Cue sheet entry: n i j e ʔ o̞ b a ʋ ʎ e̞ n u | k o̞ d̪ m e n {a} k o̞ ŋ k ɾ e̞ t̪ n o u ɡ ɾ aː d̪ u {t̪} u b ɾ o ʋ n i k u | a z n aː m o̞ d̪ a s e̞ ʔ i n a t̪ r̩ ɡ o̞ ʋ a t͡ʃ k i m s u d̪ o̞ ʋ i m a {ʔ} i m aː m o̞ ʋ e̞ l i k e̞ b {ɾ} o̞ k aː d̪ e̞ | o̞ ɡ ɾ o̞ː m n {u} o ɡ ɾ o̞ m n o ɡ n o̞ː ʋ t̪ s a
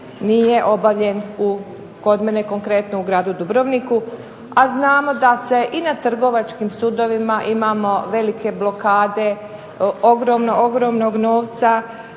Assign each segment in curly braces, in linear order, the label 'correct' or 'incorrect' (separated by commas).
incorrect, incorrect, correct, incorrect, incorrect